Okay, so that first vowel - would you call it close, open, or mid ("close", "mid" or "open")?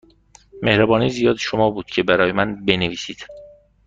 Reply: mid